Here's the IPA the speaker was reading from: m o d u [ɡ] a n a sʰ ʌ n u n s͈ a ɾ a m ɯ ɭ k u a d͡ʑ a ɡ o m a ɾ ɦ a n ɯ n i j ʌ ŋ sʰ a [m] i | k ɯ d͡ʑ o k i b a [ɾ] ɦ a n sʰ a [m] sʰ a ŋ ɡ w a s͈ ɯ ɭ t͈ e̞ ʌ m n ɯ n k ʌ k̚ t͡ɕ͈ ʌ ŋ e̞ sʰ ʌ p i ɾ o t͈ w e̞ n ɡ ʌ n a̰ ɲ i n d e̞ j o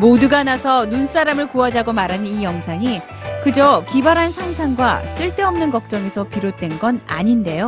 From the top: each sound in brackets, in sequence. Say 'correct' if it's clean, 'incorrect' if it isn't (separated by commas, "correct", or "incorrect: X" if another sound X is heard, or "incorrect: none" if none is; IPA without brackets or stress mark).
correct, incorrect: ŋ, correct, incorrect: ŋ